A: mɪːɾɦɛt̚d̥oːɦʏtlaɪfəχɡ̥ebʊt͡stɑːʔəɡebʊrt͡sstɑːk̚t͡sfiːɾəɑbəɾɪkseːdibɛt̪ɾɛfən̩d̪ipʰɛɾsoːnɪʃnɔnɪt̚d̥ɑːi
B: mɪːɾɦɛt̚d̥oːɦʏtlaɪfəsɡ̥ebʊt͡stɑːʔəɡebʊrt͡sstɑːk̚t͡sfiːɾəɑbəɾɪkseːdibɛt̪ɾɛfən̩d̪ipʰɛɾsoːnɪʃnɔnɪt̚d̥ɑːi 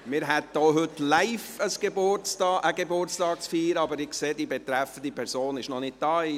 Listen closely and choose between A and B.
B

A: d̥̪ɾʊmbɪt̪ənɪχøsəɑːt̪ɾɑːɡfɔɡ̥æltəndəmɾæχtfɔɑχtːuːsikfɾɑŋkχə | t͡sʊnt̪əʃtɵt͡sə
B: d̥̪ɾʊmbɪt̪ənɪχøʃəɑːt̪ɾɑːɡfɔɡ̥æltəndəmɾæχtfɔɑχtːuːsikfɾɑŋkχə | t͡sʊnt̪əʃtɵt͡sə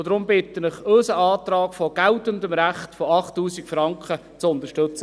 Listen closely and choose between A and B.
A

